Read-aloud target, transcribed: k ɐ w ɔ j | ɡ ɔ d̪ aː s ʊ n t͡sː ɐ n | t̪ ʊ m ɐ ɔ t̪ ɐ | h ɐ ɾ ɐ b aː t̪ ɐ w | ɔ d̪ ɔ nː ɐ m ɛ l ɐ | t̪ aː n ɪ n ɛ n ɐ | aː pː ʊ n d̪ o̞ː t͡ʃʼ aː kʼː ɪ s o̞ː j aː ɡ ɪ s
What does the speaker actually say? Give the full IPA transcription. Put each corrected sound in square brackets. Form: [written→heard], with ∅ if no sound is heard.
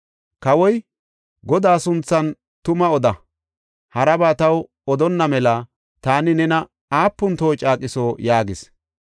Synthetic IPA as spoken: k ɐ w ɔ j | ɡ ɔ d̪ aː s ʊ n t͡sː ɐ n | t̪ ʊ m ɐ ɔ [t̪→d̪] ɐ | h ɐ ɾ ɐ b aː t̪ ɐ w | ɔ d̪ ɔ nː ɐ m ɛ l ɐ | t̪ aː n ɪ n ɛ n ɐ | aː pː ʊ n [d̪→t̪] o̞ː t͡ʃʼ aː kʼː ɪ s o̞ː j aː ɡ ɪ s

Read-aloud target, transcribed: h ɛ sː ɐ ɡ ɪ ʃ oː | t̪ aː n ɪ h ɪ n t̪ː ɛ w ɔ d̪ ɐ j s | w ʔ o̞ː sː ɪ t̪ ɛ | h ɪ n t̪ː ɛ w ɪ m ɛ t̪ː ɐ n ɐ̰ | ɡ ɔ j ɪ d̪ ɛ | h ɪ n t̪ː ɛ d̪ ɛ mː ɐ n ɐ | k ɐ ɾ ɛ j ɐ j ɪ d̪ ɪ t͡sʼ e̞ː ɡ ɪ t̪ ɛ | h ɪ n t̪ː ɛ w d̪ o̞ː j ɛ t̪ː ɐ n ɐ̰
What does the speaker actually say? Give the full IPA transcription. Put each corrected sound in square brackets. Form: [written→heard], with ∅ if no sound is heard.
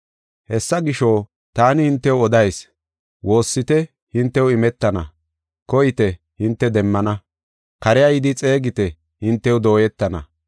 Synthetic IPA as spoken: h ɛ sː ɐ ɡ ɪ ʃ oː | t̪ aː n ɪ h ɪ n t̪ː ɛ w ɔ d̪ ɐ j s | w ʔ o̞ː sː ɪ t̪ ɛ | h ɪ n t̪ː ɛ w ɪ m ɛ t̪ː ɐ n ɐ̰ | [ɡ→k] ɔ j ɪ [d̪→t̪] ɛ | h ɪ n t̪ː ɛ d̪ ɛ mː ɐ n ɐ | k ɐ ɾ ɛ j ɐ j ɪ d̪ ɪ t͡sʼ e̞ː ɡ ɪ t̪ ɛ | h ɪ n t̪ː ɛ w d̪ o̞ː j ɛ t̪ː ɐ n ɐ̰

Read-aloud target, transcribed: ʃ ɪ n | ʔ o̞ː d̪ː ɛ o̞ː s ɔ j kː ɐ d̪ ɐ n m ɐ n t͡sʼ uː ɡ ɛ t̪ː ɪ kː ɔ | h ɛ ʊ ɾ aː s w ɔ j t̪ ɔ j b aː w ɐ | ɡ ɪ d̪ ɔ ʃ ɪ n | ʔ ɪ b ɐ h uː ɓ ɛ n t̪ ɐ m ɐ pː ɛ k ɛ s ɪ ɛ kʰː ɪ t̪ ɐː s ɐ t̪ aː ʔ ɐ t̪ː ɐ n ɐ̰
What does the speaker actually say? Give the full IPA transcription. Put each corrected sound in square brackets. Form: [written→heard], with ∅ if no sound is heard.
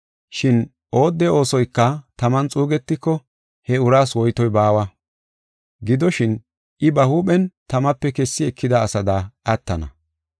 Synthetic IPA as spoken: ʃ ɪ n | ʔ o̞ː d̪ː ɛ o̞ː s ɔ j kː ɐ [d̪→t̪] ɐ [n→∅] m ɐ n t͡sʼ uː ɡ ɛ t̪ː ɪ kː ɔ | h ɛ ʊ ɾ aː s w ɔ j t̪ ɔ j b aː w ɐ | ɡ ɪ d̪ ɔ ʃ ɪ n | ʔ ɪ b ɐ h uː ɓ ɛ n t̪ ɐ m ɐ pː ɛ k ɛ [s→sː] ɪ ɛ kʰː ɪ [t̪→d̪] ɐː s ɐ [t̪→d̪] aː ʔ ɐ t̪ː ɐ n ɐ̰

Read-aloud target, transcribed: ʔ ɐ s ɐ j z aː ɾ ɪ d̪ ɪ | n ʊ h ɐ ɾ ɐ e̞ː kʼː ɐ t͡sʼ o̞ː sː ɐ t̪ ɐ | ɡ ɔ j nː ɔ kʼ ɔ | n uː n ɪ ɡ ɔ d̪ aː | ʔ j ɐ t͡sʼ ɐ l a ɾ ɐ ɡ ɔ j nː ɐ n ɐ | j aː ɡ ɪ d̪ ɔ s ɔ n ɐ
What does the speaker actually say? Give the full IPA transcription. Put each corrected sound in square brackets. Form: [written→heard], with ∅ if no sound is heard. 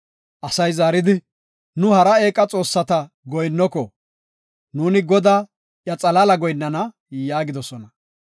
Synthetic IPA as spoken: ʔ ɐ s ɐ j z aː ɾ ɪ d̪ ɪ | n ʊ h ɐ ɾ ɐ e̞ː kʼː ɐ t͡sʼ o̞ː sː ɐ t̪ ɐ | ɡ ɔ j nː ɔ [kʼ→k] ɔ | n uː n ɪ ɡ ɔ d̪ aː | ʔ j ɐ t͡sʼ ɐ l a [ɾ→l] ɐ ɡ ɔ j nː ɐ n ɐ | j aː ɡ ɪ d̪ ɔ s ɔ n ɐ

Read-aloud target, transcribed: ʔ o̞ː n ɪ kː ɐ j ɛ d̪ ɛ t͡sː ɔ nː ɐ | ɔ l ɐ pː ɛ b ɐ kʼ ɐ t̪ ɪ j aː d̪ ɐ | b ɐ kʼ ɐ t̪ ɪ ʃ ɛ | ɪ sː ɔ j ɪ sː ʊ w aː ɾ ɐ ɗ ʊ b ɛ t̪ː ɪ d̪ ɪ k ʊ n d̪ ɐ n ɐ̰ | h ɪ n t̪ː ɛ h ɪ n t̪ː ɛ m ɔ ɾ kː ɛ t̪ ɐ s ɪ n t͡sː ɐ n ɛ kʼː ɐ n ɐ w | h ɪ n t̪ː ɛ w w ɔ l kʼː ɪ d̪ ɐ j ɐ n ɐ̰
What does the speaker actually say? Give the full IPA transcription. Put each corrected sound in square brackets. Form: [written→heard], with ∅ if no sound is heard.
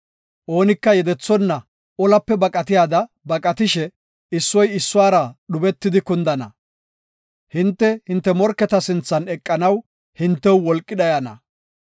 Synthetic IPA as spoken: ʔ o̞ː n ɪ kː ɐ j ɛ d̪ ɛ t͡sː ɔ nː ɐ | ɔ l ɐ pː ɛ b ɐ kʼ ɐ t̪ ɪ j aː d̪ ɐ | b ɐ kʼ ɐ t̪ ɪ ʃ ɛ | ɪ sː ɔ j ɪ sː ʊ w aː ɾ ɐ ɗ ʊ b ɛ t̪ː ɪ d̪ ɪ k ʊ n d̪ ɐ n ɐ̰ | h ɪ n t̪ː ɛ h ɪ n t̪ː ɛ m ɔ ɾ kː ɛ t̪ ɐ s ɪ n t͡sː ɐ n ɛ kʼː ɐ n ɐ w | h ɪ n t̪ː ɛ w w ɔ l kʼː ɪ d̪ ɐ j ɐ n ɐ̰

